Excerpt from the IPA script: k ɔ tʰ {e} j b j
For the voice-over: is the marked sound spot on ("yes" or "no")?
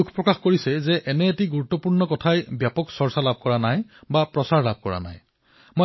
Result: no